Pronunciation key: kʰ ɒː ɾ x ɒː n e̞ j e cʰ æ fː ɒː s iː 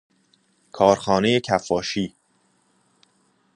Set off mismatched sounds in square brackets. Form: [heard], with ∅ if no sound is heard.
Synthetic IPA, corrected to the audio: kʰ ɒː ɾ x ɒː n e̞ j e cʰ æ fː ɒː [ʃ] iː